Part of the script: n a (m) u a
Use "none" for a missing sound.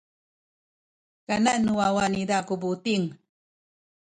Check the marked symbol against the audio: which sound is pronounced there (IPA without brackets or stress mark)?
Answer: n